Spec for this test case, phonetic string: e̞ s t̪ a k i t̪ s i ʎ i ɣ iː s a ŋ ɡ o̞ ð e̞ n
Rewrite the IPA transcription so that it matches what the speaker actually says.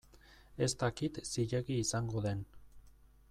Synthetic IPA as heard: e̞ s t̪ a k i t̪ s i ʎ e ɣ iː s a ŋ ɡ o̞ ð e̞ n